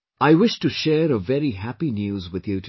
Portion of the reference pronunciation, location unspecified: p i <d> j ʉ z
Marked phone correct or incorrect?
incorrect